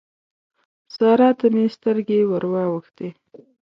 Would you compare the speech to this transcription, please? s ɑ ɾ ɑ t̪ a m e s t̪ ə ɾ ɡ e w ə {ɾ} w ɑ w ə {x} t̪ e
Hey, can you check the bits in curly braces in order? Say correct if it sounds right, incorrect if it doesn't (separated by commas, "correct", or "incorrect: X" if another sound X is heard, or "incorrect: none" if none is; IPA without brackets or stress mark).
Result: correct, correct